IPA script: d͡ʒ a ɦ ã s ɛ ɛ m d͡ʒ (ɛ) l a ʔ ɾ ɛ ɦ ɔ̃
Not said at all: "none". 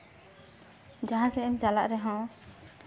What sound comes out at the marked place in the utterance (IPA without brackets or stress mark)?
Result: a